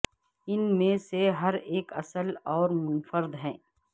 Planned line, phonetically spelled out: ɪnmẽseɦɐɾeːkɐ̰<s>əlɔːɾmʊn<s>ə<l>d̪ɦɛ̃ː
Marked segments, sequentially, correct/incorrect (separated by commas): correct, incorrect, incorrect